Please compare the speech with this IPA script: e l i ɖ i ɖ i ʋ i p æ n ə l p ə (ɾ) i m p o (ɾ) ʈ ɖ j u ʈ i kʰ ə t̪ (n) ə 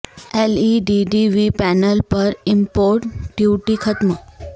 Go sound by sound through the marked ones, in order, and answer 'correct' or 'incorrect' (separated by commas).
correct, correct, incorrect